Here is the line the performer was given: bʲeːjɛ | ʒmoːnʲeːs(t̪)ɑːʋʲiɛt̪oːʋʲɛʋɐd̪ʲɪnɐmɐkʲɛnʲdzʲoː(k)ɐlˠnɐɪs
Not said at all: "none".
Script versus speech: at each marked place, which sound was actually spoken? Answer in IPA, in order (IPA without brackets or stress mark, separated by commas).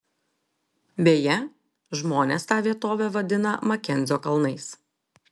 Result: t̪, k